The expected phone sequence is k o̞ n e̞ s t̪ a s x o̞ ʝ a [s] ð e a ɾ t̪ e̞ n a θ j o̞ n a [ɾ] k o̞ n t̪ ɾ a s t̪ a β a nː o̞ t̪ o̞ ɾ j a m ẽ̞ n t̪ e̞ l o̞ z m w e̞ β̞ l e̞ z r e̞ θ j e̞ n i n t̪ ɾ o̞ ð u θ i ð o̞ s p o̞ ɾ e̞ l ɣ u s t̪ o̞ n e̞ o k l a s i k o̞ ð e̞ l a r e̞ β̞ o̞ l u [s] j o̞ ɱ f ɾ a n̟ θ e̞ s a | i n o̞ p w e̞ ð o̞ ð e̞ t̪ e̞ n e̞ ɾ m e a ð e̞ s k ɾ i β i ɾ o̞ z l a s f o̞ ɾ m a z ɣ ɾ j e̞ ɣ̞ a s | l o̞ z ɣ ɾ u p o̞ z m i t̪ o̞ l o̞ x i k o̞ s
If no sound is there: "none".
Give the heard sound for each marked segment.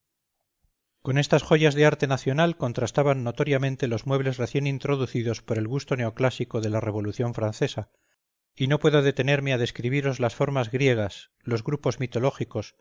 z, l, θ

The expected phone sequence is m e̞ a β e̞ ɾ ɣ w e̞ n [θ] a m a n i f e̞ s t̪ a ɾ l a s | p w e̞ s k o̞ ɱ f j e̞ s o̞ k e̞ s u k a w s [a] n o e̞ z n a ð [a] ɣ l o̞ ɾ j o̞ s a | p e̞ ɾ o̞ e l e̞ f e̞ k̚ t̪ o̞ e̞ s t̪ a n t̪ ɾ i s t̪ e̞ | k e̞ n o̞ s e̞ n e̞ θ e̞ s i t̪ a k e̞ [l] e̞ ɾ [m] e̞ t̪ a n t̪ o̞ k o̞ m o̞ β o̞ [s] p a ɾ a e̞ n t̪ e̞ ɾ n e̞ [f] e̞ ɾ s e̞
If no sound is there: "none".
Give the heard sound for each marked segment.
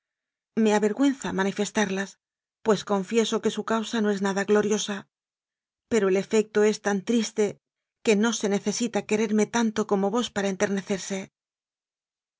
θ, a, a, ɾ, m, s, θ

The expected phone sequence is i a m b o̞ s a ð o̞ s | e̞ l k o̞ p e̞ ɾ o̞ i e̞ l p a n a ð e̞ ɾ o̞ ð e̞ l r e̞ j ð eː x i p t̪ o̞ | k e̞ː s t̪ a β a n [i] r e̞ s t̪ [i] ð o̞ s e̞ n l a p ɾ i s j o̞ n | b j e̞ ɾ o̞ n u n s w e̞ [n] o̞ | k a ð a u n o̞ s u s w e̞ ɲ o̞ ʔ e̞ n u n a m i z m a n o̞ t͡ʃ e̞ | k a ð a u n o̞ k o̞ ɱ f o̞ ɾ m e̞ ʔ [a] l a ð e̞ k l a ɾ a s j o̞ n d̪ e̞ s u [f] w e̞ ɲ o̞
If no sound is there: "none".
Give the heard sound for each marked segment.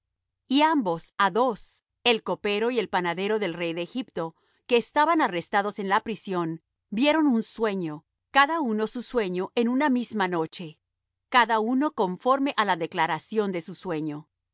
a, a, ɲ, a, s

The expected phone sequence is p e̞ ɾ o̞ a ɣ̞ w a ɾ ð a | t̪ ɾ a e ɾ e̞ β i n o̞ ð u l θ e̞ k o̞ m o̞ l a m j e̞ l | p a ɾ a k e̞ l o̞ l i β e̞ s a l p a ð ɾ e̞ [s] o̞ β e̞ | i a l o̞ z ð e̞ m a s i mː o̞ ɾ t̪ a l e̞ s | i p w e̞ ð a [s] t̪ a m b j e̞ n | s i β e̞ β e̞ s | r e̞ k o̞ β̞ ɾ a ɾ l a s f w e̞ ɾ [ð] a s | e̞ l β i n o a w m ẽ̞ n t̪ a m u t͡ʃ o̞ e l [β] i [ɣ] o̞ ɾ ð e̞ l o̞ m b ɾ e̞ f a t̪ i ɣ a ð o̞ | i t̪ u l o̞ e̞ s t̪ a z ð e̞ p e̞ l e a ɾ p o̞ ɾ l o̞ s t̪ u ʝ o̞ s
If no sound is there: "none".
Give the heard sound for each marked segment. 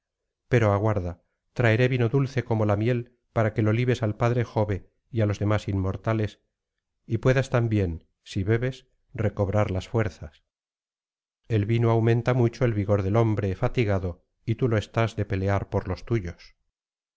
x, s, θ, β, ɣ

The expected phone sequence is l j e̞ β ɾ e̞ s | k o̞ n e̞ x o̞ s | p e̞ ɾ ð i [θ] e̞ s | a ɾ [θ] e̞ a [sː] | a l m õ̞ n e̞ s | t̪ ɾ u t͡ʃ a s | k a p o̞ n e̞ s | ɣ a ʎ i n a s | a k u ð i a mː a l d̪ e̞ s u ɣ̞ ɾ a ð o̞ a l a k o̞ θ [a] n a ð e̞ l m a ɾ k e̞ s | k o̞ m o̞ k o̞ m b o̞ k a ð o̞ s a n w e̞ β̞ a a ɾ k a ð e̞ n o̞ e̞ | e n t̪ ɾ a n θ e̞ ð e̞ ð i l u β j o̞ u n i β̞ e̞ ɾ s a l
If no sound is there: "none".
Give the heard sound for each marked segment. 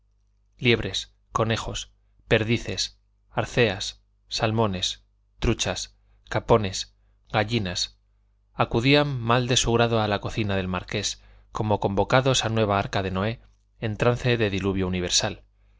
θ, θ, sː, i

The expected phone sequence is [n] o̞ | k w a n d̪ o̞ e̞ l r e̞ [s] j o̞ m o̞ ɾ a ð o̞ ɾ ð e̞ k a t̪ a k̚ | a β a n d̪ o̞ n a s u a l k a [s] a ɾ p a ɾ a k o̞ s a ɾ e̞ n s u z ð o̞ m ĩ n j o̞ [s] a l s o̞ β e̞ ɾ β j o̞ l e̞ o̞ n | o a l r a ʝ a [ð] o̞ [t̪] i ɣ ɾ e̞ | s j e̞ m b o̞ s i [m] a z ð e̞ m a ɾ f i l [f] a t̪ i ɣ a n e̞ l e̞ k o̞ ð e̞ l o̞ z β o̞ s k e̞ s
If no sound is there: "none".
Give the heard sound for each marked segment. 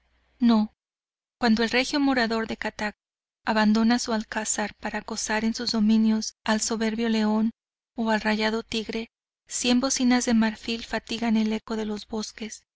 n, x, s, s, ð, t̪, n, f

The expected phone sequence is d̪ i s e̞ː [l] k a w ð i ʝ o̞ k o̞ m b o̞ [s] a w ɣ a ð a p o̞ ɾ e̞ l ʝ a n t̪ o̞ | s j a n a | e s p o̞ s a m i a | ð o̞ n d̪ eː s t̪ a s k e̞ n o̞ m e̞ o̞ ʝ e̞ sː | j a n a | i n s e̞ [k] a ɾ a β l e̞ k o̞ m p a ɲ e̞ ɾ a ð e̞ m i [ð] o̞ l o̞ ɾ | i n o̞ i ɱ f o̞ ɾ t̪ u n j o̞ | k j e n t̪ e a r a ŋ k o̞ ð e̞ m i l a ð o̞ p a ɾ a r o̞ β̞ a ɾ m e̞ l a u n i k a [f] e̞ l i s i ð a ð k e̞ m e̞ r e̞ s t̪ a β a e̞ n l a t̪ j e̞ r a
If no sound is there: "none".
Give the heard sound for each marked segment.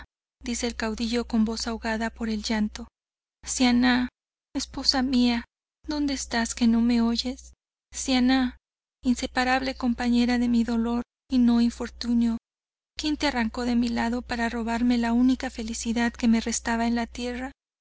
l, s, p, ð, f

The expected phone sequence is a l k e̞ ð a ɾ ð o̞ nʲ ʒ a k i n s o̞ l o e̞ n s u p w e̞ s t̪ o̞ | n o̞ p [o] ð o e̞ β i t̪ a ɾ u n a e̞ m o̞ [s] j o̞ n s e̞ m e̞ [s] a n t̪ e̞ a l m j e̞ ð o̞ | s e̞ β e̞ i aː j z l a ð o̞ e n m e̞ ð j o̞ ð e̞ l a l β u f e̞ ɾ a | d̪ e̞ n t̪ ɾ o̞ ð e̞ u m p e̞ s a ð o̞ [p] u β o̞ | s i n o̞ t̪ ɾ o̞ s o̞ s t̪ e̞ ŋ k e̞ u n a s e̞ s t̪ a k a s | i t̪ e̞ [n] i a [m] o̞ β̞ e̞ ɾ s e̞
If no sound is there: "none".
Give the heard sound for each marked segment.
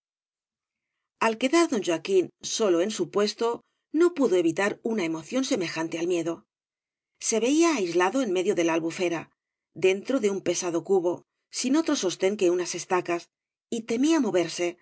u, θ, x, k, m, m

